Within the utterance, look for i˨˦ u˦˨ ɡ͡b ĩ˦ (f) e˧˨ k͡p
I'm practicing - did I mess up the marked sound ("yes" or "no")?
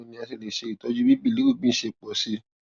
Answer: yes